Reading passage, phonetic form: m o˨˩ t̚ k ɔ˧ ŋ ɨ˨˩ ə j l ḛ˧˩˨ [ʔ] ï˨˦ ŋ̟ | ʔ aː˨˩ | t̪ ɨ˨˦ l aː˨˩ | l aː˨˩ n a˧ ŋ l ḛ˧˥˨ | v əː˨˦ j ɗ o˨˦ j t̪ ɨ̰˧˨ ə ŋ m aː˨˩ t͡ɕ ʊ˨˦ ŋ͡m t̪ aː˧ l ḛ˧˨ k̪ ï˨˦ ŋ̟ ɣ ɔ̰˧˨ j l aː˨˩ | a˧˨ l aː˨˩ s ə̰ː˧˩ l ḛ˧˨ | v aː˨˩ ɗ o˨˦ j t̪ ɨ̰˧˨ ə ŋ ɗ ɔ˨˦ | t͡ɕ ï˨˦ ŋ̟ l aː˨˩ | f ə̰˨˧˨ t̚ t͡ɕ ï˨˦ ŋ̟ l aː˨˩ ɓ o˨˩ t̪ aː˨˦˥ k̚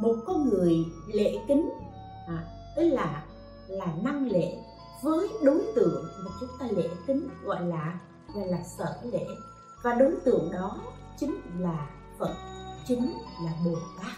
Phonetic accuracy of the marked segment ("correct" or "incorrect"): incorrect